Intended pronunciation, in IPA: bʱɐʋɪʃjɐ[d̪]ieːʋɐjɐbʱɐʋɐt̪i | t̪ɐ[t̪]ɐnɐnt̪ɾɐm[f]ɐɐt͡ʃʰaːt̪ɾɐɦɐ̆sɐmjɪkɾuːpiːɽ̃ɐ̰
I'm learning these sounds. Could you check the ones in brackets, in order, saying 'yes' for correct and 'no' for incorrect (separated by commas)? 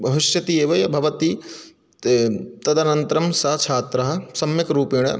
no, no, no